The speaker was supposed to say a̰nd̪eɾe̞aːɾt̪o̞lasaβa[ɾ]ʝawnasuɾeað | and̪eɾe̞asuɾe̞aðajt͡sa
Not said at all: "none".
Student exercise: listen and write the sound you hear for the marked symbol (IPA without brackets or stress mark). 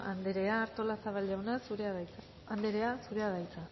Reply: l